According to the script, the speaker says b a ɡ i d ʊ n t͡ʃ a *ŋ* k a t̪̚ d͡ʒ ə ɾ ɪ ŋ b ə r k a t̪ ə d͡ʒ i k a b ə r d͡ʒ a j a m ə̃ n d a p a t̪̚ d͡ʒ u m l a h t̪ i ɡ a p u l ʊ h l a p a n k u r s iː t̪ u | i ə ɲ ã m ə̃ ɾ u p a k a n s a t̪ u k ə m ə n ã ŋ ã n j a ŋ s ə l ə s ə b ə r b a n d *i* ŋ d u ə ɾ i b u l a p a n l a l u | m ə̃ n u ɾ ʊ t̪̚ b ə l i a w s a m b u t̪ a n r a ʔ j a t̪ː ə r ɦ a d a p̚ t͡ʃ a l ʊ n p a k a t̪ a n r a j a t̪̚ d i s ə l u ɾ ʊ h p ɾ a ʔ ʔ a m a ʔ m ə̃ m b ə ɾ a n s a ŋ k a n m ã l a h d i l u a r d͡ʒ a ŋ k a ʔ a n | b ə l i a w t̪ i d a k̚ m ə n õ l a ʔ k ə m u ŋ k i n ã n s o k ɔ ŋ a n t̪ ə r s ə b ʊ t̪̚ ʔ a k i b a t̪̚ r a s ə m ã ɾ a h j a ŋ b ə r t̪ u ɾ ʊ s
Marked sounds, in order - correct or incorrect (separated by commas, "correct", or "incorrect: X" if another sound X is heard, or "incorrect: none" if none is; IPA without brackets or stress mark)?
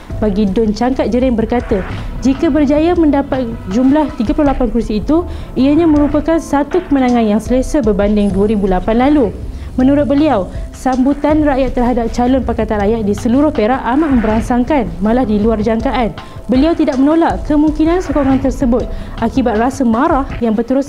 correct, incorrect: ɪ